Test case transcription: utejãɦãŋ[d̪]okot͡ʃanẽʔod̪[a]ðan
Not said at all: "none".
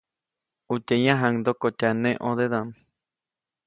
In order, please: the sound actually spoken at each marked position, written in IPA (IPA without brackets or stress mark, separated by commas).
d̪, e